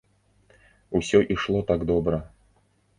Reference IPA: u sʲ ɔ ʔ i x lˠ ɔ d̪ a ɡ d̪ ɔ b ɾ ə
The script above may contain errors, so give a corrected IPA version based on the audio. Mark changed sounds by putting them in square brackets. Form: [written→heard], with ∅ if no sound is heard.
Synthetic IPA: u sʲ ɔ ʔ i [x→ʂ] lˠ ɔ [d̪→t̪] a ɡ d̪ ɔ b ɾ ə